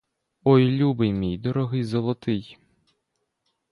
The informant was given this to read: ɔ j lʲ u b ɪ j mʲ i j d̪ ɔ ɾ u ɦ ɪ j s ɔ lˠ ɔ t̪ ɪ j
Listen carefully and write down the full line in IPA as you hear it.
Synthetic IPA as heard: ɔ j lʲ u b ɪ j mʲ i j d̪ ɔ ɾ ɔ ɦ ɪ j z ɔ lˠ ɔ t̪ ɪ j